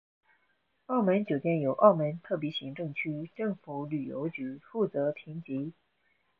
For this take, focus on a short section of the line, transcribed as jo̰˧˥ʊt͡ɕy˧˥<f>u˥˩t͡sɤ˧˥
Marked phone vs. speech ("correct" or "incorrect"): correct